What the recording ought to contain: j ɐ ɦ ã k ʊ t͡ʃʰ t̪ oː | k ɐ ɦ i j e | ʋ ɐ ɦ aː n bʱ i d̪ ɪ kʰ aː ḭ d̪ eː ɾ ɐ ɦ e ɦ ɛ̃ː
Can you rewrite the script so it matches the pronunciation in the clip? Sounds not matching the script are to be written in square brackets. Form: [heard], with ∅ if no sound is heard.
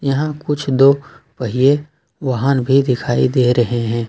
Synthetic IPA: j ɐ ɦ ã k ʊ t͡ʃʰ [d̪] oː | [p] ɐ ɦ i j e | ʋ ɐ ɦ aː n bʱ i d̪ ɪ kʰ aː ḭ d̪ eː ɾ ɐ ɦ e ɦ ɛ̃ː